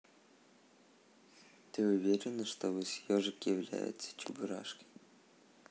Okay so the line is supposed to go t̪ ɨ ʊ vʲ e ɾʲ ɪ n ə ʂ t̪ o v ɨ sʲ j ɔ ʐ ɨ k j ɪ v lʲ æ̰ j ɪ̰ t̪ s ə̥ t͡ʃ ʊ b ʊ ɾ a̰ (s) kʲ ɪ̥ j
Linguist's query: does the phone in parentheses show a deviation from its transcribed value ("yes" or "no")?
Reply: yes